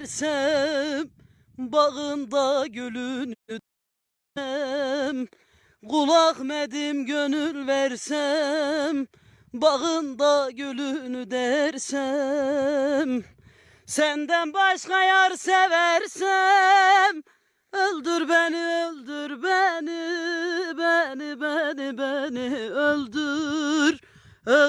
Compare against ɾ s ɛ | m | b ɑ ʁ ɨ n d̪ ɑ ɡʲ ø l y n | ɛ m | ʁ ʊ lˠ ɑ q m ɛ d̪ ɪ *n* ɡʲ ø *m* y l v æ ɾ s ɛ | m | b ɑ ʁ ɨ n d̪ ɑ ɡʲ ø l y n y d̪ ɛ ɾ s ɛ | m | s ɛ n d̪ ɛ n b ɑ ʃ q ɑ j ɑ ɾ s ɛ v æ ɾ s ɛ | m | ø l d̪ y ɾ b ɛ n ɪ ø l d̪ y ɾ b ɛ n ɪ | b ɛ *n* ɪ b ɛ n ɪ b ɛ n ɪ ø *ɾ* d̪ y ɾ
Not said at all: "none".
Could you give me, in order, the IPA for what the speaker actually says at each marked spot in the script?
m, n, n, l

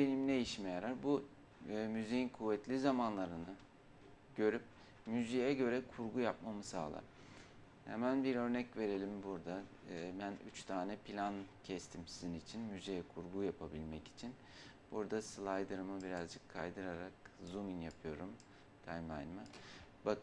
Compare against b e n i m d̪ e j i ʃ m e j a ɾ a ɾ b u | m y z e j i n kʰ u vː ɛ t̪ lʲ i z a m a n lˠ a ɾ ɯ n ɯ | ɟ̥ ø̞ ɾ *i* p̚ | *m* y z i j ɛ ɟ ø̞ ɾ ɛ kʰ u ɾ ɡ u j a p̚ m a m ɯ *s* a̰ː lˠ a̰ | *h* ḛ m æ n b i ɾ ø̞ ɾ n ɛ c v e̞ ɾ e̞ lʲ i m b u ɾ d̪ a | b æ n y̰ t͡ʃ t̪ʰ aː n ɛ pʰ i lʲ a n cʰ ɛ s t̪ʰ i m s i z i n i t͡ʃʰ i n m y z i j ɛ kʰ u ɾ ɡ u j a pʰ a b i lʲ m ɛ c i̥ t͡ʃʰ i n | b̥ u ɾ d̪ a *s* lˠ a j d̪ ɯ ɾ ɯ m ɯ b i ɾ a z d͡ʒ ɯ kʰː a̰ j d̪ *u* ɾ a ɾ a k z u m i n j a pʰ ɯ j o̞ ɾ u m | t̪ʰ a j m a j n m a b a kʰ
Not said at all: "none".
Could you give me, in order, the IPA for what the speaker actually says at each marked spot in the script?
y, m, s, h, s, ɯ

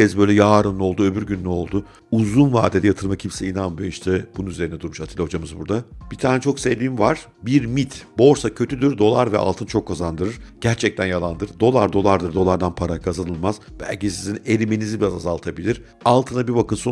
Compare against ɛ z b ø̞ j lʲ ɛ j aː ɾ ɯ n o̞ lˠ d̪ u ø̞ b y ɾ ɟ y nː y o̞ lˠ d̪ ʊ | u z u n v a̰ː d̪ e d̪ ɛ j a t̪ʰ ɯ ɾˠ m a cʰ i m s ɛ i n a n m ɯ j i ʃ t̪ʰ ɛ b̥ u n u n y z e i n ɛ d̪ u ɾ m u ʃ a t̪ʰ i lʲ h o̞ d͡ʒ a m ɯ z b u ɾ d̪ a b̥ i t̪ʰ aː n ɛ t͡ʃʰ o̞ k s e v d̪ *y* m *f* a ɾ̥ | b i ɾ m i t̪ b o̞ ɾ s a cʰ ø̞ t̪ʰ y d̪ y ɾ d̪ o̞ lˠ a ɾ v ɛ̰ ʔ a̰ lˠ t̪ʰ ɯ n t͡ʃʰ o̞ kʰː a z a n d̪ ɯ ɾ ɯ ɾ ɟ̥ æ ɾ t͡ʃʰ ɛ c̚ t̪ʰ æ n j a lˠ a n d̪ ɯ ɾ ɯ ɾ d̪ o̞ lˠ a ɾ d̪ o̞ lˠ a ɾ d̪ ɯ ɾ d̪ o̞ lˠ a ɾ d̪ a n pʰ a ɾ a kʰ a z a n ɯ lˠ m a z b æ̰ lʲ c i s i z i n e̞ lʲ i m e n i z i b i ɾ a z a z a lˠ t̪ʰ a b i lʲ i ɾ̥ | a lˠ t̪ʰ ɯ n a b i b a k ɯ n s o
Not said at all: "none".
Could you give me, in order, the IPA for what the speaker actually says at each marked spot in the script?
i, v

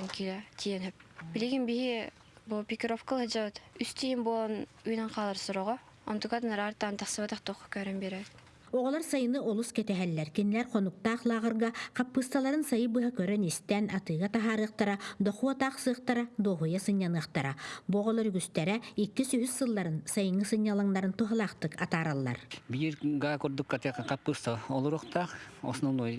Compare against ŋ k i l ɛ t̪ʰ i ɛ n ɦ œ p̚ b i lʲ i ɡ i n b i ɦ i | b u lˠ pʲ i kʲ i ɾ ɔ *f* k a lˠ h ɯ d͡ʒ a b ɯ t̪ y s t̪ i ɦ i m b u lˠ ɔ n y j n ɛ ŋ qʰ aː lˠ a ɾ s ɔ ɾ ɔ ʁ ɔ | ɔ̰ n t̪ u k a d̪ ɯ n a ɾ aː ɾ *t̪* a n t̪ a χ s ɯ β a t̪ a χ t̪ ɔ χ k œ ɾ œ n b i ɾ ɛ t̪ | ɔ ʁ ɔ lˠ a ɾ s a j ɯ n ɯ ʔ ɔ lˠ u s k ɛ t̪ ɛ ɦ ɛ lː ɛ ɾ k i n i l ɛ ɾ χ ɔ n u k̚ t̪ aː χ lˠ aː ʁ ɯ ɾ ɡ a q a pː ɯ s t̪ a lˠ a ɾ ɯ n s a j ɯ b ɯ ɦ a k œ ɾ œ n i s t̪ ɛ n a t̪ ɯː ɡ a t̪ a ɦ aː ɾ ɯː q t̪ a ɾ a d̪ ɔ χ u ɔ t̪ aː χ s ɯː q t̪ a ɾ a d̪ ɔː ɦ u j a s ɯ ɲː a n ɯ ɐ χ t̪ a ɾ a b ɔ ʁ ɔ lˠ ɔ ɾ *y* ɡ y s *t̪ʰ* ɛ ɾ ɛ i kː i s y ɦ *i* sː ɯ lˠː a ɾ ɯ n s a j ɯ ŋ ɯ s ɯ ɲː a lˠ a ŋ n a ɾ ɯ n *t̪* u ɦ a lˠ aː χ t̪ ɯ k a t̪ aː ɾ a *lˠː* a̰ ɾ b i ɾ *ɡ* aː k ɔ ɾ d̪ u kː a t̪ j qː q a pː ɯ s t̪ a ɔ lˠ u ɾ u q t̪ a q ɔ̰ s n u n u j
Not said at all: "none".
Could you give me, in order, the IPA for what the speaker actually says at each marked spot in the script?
f, t̪, y, t̪, y, t̪, lˠː, ɡ

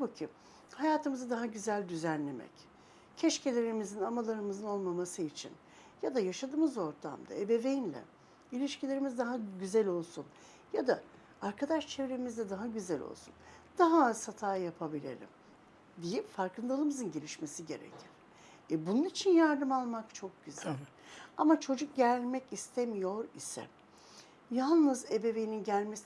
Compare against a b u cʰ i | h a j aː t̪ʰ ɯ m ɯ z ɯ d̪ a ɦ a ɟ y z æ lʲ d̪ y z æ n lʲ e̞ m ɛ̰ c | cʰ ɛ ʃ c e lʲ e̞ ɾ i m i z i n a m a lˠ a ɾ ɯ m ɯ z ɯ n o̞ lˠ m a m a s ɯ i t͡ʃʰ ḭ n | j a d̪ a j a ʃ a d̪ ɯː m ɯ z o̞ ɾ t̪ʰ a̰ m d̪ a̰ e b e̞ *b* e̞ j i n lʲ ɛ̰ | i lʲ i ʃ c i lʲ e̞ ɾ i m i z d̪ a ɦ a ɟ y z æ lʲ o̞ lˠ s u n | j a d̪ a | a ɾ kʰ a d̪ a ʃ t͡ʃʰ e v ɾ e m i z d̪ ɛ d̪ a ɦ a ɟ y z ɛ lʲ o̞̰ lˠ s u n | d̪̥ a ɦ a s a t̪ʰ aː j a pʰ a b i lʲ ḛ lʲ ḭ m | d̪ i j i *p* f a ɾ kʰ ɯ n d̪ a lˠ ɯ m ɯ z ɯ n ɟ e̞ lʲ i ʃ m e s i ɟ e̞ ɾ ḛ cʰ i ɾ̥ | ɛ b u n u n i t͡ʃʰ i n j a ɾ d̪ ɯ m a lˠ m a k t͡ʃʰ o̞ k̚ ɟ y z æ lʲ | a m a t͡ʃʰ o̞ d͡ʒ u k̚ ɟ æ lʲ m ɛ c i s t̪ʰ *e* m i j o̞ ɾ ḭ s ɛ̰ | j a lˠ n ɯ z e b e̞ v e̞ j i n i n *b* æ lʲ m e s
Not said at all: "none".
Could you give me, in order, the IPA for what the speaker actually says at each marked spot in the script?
v, p, e, ɟ

